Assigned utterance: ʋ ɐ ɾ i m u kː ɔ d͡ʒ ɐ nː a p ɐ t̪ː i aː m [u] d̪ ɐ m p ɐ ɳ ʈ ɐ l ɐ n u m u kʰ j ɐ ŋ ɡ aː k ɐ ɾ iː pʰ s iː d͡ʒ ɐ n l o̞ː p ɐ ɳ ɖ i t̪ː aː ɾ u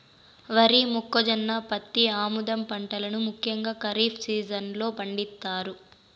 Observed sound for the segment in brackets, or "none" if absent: u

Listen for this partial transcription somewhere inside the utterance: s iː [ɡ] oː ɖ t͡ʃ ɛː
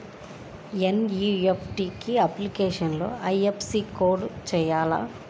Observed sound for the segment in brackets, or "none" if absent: k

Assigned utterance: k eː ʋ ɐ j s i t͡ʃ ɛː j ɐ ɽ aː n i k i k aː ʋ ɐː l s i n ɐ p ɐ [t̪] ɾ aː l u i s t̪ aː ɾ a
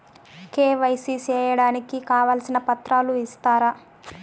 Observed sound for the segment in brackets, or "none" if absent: t̪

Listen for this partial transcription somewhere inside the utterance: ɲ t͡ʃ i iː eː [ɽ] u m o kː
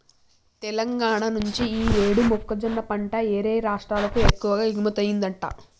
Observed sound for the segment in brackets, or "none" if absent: ɽ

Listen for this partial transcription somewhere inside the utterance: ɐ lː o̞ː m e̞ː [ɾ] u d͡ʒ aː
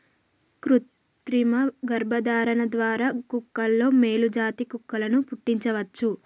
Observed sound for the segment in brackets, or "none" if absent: l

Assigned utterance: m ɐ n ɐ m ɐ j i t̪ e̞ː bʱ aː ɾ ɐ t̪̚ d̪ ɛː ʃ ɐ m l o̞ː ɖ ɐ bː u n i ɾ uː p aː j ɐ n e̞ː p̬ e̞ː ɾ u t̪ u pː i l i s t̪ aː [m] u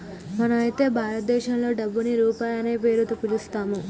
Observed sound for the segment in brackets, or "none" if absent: m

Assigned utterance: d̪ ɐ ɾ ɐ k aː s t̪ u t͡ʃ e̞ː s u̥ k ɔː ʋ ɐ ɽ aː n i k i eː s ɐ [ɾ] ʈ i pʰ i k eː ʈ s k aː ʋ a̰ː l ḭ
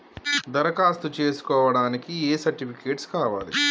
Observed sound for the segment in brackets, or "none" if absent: ɾ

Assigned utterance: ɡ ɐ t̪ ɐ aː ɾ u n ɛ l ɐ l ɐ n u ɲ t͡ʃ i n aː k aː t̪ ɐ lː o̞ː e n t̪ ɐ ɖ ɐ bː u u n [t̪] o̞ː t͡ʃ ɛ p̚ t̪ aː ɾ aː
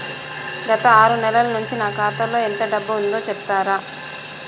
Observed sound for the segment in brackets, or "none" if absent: d̪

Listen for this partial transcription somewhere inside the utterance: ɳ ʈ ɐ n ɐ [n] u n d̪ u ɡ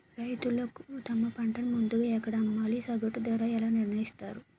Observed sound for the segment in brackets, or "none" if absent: m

